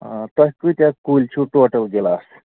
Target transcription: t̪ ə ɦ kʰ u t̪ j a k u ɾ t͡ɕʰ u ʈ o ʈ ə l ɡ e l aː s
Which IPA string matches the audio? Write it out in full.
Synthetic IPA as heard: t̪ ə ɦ k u t̪ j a k u l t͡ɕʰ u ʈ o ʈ ə l ɡ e l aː s